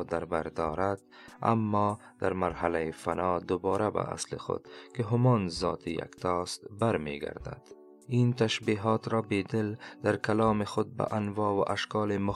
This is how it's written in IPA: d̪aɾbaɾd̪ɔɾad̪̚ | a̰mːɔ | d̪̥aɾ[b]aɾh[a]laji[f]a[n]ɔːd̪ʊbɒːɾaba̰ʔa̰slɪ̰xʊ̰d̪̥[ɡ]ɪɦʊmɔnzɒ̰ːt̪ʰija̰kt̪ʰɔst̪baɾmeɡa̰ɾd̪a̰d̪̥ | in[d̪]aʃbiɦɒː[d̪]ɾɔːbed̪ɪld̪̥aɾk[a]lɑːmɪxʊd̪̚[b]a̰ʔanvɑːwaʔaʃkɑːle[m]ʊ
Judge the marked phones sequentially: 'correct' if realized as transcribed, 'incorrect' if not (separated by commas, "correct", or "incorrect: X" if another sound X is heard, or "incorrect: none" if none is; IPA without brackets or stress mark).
incorrect: m, correct, correct, correct, incorrect: k, incorrect: t̪, incorrect: t̪, correct, correct, correct